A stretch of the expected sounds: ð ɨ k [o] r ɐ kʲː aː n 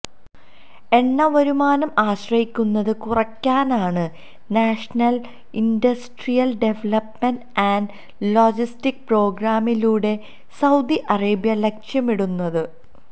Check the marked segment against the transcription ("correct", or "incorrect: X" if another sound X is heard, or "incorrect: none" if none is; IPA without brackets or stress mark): incorrect: u